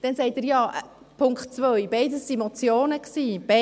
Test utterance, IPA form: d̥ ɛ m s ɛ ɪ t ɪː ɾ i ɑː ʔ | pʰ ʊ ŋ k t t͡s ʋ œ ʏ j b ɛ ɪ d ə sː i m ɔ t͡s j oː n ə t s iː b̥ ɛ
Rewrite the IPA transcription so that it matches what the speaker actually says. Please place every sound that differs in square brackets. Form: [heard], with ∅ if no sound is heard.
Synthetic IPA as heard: d̥ ɛ [n] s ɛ ɪ t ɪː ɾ [j] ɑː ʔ | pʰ ʊ ŋ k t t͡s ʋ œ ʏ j b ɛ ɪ d ə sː i m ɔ t͡s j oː n ə [k] s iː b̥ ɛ